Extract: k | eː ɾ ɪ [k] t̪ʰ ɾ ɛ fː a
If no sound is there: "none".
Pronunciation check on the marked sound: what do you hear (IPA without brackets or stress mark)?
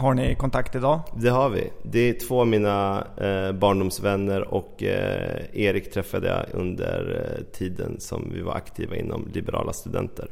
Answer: k